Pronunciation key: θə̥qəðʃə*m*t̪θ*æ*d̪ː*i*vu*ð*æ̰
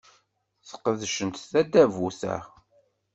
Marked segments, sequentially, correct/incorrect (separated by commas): incorrect, correct, incorrect, incorrect